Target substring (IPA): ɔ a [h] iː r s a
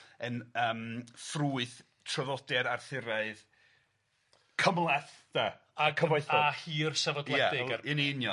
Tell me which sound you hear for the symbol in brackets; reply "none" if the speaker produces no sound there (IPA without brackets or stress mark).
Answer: h